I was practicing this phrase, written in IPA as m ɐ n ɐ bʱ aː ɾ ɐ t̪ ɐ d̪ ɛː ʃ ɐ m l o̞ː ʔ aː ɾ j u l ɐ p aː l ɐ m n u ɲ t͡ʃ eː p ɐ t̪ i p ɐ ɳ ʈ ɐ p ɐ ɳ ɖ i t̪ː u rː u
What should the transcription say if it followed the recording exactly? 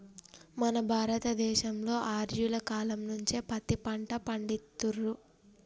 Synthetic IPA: m ɐ n ɐ bʱ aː ɾ ɐ t̪ ɐ d̪ ɛː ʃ ɐ m l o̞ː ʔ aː ɾ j u l ɐ k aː l ɐ m n u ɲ t͡ʃ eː p ɐ t̪ i p ɐ ɳ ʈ ɐ p ɐ ɳ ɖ i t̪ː u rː u